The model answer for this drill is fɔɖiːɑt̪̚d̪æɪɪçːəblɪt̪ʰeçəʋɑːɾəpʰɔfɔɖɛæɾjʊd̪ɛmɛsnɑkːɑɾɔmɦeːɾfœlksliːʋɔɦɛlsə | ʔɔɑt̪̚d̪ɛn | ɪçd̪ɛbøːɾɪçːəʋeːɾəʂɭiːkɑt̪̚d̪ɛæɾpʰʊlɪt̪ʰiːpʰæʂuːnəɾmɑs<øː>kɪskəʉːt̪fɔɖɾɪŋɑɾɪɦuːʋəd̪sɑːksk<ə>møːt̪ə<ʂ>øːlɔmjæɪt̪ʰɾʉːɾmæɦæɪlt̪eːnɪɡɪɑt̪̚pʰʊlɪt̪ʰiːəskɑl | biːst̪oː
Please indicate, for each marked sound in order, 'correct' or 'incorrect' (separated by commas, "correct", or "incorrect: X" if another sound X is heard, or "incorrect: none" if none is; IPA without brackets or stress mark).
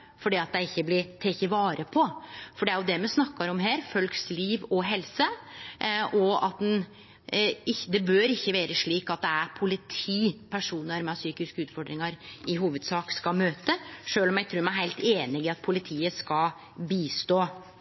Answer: incorrect: yː, incorrect: ɑ, correct